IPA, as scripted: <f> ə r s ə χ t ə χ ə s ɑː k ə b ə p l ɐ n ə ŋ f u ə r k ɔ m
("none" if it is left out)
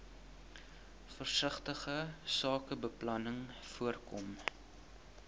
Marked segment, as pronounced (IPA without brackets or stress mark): f